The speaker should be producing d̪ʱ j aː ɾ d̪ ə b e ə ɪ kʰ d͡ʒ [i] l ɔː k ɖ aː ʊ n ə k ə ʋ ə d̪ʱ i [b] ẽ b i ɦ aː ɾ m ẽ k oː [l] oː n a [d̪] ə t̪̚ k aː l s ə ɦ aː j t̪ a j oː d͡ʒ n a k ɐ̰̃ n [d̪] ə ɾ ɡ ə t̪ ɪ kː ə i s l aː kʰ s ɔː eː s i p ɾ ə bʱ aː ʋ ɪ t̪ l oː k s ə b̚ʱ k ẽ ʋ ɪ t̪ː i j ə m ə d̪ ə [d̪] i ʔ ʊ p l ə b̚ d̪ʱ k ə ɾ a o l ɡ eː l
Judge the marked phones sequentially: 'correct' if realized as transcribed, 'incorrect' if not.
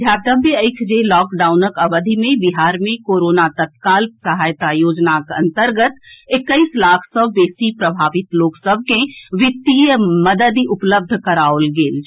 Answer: incorrect: e, incorrect: m, incorrect: ɾ, incorrect: t̪, incorrect: t̪, correct

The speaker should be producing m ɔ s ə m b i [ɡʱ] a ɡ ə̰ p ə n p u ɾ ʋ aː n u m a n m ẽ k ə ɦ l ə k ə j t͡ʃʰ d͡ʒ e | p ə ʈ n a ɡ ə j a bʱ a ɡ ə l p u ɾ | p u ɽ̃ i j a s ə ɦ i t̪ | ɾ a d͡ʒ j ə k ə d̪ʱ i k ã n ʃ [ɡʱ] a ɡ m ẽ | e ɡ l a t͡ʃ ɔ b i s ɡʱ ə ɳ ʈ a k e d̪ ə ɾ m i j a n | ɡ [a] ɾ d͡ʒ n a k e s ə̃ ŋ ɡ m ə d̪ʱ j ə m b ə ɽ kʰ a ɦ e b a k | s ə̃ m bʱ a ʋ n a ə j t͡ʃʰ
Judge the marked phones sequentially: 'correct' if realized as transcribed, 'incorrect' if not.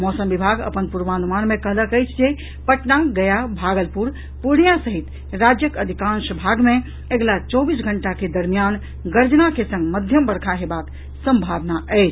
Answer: incorrect: bʱ, incorrect: bʱ, incorrect: ə

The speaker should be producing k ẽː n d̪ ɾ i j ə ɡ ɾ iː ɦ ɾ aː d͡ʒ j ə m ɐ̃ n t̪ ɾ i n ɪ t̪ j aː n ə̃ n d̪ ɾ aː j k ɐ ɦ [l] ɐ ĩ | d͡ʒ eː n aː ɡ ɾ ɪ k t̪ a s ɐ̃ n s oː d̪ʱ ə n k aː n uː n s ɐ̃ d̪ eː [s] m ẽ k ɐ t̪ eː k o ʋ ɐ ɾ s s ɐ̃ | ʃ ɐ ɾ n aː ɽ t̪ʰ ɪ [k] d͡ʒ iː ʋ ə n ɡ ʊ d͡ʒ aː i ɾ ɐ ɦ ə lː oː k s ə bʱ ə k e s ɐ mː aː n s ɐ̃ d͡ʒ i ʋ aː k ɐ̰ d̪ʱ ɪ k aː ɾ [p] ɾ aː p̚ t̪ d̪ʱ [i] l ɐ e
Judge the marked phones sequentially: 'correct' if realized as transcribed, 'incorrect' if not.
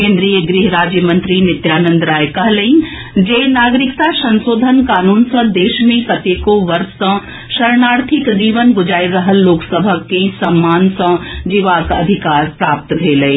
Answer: correct, incorrect: ʃ, correct, correct, incorrect: e

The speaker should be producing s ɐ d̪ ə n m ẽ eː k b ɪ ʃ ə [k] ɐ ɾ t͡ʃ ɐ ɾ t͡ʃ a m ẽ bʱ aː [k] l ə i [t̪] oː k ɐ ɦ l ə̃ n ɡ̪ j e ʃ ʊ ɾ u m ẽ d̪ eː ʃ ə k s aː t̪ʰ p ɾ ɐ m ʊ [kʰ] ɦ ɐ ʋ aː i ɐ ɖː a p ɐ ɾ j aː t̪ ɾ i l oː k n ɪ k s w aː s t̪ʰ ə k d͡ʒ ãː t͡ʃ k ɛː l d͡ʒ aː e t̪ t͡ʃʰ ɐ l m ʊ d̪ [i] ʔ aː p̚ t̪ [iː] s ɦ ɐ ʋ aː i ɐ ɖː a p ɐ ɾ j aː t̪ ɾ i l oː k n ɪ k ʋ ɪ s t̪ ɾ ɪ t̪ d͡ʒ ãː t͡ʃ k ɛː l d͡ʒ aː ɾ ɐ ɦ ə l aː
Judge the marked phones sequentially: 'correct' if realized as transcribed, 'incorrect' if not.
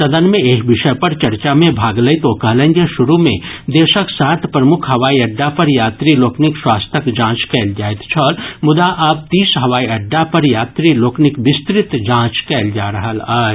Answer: incorrect: p, incorrect: ɡ, correct, correct, incorrect: a, correct

